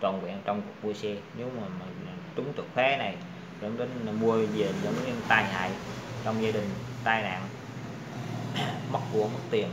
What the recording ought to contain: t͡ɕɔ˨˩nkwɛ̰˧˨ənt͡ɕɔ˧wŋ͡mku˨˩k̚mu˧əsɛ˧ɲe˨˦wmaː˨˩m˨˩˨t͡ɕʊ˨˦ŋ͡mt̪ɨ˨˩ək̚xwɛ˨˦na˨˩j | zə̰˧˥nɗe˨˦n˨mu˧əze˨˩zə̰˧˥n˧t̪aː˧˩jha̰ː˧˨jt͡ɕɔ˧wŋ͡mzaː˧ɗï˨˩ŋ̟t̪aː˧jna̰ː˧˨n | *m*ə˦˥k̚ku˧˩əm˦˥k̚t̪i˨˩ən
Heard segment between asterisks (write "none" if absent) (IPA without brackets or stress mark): m